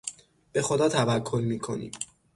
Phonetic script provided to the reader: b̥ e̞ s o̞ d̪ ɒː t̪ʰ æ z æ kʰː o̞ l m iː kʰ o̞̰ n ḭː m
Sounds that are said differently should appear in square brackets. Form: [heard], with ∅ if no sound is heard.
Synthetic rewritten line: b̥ e̞ [x] o̞ d̪ ɒː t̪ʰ æ [v] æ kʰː o̞ l m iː kʰ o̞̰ n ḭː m